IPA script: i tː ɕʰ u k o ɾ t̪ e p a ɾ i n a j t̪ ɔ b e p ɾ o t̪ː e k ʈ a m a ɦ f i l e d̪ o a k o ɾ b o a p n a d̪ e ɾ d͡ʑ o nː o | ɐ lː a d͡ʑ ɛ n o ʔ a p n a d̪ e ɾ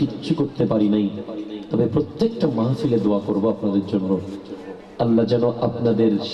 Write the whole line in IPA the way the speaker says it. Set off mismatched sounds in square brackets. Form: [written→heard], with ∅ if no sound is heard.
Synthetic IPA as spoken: i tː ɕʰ u k o ɾ t̪ e p a ɾ i n a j t̪ ɔ b e p ɾ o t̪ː e k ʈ a m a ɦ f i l e d̪ o a k o ɾ b o a p n a d̪ e ɾ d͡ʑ o nː o | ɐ lː a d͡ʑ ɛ n o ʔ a p n a d̪ e ɾ